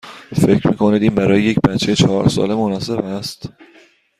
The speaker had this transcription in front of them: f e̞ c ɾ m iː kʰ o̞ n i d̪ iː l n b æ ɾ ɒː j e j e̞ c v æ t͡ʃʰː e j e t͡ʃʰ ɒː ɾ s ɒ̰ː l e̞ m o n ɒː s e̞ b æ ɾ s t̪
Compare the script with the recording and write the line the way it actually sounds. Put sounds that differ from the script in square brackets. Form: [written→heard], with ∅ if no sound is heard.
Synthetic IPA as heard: f e̞ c ɾ m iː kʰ o̞ n i d̪ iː [l→∅] n b æ ɾ ɒː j e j e̞ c [v→b] æ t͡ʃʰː e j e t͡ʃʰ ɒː ɾ s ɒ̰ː l e̞ m o n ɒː s e̞ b æ [ɾ→∅] s t̪